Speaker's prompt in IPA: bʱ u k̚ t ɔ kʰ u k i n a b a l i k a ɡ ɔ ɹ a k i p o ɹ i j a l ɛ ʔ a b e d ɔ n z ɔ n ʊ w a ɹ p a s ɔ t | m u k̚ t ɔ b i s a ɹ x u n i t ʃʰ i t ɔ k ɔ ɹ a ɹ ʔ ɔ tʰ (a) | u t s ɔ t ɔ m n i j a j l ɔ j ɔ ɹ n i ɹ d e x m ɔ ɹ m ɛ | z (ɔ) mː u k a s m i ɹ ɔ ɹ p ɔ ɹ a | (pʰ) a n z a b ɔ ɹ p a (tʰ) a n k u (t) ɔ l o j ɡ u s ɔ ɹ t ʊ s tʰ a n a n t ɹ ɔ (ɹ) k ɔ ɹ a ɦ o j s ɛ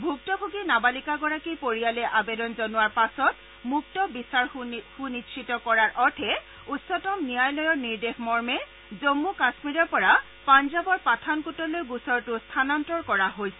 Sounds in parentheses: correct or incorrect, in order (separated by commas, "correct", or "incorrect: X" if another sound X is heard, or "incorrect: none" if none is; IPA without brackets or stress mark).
incorrect: ɛ, incorrect: o, incorrect: p, correct, correct, correct